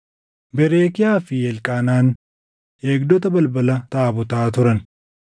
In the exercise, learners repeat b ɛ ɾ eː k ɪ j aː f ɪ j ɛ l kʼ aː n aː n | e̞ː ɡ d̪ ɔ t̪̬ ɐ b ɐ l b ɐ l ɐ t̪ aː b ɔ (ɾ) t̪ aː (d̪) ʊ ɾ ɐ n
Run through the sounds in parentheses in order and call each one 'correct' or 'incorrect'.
incorrect: none, incorrect: t̪

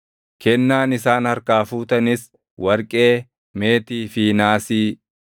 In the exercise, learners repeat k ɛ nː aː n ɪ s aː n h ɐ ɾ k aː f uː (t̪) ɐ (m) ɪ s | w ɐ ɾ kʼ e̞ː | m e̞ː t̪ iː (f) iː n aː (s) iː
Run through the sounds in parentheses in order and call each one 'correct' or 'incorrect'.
correct, incorrect: n, correct, correct

